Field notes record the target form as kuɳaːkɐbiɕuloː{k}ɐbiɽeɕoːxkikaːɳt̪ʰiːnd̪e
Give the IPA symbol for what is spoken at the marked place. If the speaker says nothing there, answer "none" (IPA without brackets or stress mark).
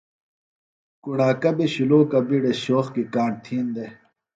k